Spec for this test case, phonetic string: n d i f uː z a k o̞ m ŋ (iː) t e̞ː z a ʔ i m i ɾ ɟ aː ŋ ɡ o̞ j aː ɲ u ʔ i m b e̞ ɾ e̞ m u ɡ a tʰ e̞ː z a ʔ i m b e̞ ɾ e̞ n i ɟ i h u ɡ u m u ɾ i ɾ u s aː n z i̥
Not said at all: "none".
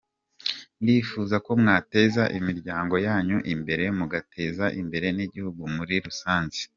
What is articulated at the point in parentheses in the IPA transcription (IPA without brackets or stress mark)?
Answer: aː